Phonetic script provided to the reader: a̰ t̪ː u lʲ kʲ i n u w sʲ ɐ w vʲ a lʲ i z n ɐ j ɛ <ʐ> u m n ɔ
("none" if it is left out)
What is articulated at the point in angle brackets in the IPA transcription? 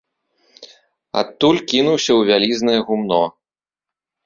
ɣ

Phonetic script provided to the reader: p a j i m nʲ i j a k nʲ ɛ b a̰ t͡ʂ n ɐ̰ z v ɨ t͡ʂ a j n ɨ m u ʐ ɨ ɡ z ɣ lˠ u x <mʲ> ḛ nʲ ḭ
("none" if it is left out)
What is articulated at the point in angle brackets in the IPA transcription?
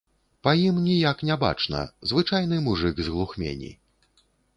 mʲ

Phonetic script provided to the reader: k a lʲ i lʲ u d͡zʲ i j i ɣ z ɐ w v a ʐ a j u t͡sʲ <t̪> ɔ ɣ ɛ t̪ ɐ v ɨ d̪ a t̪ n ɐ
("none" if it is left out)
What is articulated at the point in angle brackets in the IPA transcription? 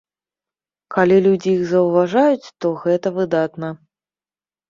t̪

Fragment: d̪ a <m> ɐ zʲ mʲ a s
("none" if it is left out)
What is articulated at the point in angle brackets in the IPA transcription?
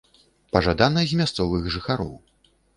n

